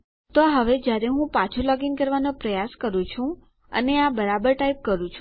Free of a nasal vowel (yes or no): no